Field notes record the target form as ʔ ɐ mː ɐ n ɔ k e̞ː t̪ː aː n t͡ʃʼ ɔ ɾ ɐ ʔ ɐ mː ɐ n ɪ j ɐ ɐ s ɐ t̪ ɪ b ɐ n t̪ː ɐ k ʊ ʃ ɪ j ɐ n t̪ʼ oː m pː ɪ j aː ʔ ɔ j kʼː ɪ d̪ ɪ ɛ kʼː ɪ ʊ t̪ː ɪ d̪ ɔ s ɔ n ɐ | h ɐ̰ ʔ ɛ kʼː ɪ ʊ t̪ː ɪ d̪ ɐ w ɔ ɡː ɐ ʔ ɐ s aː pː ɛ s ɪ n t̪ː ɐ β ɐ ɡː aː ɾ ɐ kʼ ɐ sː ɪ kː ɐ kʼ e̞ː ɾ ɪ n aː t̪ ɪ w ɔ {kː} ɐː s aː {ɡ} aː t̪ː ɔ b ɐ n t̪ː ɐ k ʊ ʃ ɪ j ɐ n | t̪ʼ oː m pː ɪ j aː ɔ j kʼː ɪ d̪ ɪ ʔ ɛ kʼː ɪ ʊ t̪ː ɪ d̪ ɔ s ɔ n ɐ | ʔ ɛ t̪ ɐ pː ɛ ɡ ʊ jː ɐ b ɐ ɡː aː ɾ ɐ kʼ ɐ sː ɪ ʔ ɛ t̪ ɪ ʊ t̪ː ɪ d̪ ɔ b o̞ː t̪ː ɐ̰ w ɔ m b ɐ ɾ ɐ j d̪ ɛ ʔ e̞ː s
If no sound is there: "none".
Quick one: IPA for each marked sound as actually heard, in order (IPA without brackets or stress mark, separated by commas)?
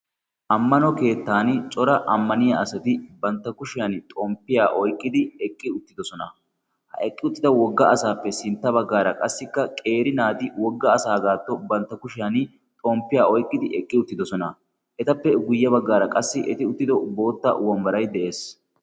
ɡː, ɡ